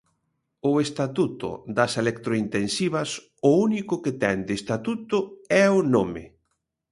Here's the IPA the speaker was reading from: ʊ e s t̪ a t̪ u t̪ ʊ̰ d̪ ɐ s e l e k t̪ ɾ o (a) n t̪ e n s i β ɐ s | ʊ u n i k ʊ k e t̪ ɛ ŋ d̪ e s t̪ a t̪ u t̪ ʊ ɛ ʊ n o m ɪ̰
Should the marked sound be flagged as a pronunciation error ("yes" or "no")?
yes